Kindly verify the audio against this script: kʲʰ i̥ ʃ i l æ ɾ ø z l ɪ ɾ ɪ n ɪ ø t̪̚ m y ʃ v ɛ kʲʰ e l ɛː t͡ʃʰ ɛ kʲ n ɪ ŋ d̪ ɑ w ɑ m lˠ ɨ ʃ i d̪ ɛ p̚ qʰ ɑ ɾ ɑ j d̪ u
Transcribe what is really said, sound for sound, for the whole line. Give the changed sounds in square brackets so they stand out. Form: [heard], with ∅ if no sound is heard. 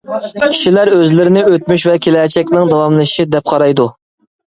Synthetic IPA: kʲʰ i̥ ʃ i l æ ɾ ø z l ɪ ɾ ɪ n ɪ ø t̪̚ m y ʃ v ɛ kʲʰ e l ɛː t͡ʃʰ ɛ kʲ n ɪ ŋ d̪ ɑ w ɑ m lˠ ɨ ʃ i d̪ ɛ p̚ qʰ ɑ ɾ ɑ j d̪ u